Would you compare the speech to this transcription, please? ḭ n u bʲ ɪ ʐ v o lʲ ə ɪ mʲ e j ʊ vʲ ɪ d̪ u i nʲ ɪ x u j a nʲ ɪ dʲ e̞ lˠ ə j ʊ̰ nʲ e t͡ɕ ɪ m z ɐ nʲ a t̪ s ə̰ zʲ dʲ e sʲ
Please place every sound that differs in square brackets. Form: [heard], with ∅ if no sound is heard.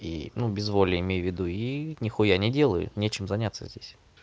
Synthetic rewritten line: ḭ n u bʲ ɪ [z] v o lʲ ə ɪ mʲ e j ʊ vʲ ɪ d̪ u i nʲ ɪ x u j a nʲ ɪ dʲ e̞ lˠ ə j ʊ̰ nʲ e t͡ɕ ɪ m z ɐ nʲ a t̪ s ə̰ zʲ dʲ e sʲ